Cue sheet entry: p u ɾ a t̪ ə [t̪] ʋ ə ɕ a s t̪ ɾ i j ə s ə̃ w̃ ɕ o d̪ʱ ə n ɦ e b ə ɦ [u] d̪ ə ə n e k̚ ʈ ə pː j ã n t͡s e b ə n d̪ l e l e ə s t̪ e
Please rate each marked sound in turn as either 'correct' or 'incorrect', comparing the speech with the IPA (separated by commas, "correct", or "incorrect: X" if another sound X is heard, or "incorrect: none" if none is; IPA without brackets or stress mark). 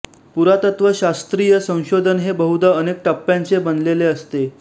correct, correct